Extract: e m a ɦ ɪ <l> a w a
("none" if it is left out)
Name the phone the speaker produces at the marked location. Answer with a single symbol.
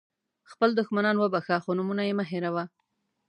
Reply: ɾ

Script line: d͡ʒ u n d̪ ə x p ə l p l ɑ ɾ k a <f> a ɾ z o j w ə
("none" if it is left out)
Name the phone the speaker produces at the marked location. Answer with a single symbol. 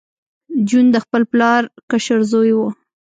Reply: ʃ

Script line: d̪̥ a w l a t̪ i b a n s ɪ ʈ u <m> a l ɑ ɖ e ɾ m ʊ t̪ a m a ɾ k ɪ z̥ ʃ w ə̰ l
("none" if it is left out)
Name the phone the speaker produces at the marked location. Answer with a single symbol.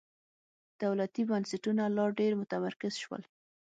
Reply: n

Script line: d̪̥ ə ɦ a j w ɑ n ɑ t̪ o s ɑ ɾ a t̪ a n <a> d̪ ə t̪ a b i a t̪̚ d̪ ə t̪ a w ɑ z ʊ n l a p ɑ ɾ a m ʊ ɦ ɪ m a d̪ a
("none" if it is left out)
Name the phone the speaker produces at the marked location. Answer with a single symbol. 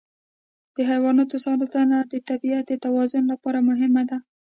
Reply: a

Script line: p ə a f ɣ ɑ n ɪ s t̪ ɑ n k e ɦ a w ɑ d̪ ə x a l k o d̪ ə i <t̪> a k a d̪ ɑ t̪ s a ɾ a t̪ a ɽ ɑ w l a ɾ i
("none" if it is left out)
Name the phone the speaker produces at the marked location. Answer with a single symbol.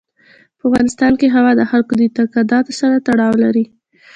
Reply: t̪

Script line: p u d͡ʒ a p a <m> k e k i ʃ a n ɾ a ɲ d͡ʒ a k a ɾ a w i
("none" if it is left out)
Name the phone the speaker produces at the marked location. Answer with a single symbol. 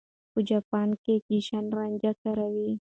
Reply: n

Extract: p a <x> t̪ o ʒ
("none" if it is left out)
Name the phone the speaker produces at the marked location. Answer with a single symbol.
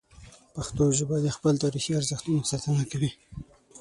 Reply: x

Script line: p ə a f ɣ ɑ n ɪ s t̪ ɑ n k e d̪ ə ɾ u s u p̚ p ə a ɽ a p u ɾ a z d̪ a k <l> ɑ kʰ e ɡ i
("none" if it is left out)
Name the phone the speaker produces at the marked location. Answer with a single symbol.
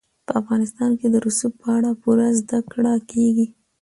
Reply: ɽ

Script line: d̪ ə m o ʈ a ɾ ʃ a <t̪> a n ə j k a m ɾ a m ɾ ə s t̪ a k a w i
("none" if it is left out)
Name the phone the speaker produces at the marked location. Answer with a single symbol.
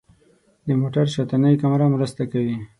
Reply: t̪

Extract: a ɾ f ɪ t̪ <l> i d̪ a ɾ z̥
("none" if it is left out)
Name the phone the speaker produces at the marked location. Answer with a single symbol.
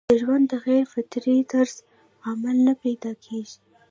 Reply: ɾ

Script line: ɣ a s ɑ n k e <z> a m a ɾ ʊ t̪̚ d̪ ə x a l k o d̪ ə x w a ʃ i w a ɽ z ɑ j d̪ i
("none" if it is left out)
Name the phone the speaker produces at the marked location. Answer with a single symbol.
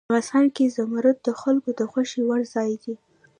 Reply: z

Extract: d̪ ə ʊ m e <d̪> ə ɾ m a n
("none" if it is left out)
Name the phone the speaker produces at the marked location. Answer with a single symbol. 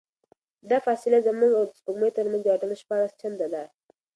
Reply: t̪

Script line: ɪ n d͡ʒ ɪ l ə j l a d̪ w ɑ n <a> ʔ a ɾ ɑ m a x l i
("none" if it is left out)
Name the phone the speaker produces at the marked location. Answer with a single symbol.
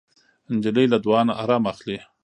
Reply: a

